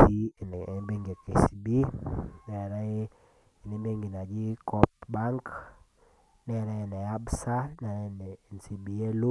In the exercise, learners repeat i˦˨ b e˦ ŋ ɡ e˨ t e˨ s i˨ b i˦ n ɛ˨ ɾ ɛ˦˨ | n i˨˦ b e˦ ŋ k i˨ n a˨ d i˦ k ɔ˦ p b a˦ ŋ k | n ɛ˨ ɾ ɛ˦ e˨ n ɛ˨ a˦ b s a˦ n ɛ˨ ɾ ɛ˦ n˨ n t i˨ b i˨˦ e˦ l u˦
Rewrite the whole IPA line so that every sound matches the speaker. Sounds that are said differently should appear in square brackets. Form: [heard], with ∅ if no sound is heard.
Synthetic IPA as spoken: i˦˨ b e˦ ŋ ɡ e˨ [k] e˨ s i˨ b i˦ n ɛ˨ ɾ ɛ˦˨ | n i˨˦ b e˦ ŋ [ɡ] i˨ n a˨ [d͡ʒ] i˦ k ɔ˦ p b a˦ ŋ k | n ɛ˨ ɾ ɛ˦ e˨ n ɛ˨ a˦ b s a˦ n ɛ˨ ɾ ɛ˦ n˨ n [s] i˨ b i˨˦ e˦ l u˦